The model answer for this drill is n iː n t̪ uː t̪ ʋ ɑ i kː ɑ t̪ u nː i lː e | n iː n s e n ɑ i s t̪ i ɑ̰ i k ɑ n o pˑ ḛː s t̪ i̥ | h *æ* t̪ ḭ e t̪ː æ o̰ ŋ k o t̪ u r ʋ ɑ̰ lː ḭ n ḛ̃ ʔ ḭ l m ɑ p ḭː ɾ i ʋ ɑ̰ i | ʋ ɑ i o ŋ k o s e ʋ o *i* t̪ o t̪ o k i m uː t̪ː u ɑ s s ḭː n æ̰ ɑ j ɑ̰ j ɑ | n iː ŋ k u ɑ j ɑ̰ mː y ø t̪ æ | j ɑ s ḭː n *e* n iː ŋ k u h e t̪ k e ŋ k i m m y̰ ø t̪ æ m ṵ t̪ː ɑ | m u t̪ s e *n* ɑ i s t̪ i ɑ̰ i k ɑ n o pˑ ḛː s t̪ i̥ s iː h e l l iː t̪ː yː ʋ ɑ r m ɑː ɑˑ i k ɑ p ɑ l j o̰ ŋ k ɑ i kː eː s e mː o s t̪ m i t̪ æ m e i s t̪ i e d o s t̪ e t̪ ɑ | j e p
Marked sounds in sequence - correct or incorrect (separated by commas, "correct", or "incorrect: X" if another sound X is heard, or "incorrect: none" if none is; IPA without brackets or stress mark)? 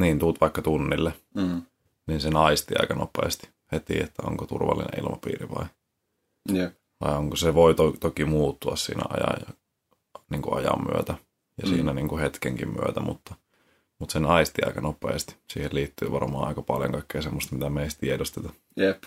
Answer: incorrect: e, correct, incorrect: æ, correct